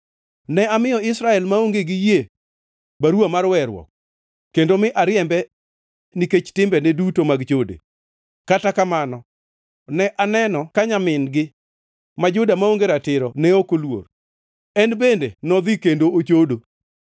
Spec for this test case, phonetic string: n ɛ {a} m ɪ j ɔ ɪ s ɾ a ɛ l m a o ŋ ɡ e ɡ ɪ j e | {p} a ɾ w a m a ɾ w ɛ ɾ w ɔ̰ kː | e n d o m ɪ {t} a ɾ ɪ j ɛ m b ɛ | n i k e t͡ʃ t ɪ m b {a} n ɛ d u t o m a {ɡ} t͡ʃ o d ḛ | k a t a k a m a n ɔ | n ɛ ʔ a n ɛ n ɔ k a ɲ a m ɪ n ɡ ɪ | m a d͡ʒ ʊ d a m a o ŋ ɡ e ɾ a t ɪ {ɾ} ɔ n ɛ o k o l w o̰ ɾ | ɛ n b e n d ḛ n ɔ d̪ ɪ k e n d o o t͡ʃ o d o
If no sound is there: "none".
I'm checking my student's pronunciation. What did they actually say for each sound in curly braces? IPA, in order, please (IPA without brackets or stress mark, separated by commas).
a, b, ʔ, ɛ, ɡ, ɾ